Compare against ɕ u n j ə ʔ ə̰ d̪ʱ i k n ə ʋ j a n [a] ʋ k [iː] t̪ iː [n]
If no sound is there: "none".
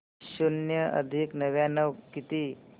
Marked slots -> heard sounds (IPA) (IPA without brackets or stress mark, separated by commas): ə, i, none